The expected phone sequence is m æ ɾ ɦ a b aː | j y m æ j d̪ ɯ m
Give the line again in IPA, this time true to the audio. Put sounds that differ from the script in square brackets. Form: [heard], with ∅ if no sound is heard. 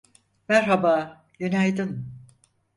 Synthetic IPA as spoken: m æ ɾ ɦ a b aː | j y [n] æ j d̪ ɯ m